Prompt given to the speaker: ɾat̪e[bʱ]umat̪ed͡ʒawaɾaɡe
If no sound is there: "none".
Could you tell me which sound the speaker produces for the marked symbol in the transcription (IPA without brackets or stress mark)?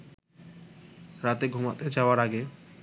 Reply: ɡʱ